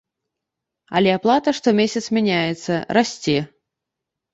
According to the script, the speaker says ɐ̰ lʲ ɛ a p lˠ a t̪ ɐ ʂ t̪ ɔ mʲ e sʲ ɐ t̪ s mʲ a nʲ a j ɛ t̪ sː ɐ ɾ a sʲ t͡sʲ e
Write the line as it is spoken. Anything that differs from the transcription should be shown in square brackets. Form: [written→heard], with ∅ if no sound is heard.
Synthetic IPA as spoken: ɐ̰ lʲ ɛ a p lˠ a t̪ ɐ ʂ t̪ ɔ mʲ e sʲ ɐ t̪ s mʲ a nʲ a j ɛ t̪ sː ɐ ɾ a sʲ t͡sʲ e